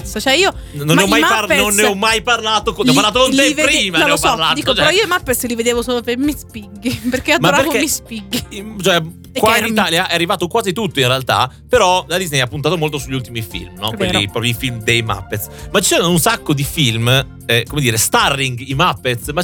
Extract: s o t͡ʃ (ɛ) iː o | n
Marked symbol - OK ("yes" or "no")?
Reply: yes